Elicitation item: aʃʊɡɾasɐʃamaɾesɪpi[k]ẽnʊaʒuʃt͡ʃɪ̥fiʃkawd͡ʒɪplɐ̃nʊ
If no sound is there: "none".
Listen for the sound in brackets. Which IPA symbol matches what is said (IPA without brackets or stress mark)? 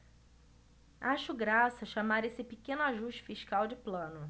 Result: k